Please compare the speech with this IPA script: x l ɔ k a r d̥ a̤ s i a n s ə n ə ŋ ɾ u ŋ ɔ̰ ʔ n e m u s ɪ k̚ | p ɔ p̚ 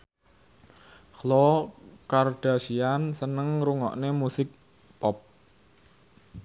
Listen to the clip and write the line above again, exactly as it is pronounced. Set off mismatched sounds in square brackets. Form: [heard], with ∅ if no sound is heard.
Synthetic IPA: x l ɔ k a r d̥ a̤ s i a n s ə n ə ŋ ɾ u ŋ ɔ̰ ʔ n e m u s ɪ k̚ | p ɔ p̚